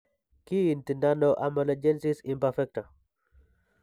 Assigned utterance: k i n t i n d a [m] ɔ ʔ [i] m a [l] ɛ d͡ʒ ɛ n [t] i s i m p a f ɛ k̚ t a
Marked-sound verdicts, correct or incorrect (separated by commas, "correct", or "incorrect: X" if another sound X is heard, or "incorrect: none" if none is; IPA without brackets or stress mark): incorrect: n, incorrect: a, correct, incorrect: s